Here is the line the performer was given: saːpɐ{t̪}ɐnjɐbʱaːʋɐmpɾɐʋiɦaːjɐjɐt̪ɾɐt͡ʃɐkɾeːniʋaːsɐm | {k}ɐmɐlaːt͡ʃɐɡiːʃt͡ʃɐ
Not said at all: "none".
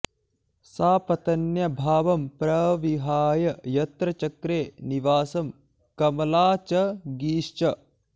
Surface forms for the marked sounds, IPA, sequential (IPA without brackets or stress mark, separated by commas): t̪, k